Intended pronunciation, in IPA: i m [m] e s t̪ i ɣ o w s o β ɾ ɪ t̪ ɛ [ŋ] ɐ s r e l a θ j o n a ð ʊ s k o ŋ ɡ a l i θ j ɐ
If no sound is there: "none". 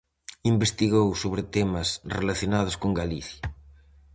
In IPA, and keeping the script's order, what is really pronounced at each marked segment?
b, m

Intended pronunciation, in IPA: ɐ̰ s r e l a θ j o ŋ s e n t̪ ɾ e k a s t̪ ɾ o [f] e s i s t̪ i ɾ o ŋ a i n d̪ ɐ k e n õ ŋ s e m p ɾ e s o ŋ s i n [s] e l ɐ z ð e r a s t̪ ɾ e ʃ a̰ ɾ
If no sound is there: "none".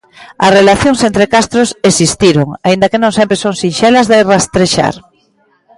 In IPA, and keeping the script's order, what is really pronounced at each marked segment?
s, ʃ

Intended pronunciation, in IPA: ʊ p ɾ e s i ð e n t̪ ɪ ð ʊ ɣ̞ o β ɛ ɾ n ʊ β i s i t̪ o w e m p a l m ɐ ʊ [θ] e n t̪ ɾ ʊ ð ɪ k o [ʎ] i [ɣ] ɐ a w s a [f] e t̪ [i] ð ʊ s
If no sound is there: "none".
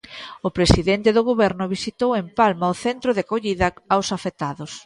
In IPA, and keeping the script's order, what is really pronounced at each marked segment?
θ, ʎ, ð, f, a

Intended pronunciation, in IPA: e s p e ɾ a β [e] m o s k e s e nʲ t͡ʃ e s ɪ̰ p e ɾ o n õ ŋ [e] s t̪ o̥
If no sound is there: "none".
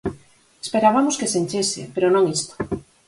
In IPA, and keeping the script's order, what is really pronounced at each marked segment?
a, i

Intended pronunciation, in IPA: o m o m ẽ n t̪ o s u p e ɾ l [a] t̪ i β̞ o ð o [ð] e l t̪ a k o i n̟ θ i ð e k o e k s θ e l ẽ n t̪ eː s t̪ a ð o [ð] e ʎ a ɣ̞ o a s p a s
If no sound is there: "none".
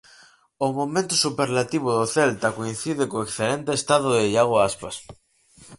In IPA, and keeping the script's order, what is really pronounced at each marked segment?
a, θ, ð

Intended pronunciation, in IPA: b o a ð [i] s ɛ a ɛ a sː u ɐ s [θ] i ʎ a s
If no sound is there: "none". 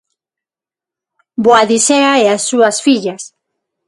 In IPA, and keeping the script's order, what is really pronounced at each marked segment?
i, f

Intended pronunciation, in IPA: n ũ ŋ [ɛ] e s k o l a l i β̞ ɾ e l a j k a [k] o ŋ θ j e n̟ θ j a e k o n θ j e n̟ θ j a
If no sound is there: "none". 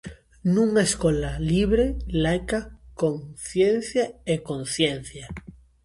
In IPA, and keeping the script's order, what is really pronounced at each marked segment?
a, k

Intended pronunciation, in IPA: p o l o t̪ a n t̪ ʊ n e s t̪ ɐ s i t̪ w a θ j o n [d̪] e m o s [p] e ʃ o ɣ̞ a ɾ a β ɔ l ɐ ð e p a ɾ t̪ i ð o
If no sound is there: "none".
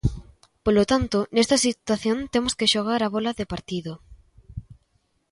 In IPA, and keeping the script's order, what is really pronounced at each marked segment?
t̪, k

